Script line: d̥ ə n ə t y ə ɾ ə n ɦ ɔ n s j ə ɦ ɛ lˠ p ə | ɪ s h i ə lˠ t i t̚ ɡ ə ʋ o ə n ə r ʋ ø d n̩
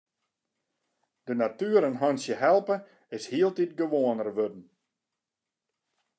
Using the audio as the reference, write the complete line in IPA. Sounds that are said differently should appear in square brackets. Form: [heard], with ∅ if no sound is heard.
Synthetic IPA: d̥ ə n [a] t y ə ɾ ə n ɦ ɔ n s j ə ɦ ɛ lˠ p ə | ɪ s h i ə lˠ t i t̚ ɡ ə ʋ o ə n ə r ʋ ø d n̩